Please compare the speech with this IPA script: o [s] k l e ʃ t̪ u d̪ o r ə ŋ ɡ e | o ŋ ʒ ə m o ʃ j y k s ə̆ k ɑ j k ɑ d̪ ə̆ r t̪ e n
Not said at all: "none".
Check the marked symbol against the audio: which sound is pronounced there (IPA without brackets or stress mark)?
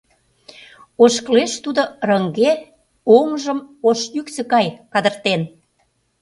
ʃ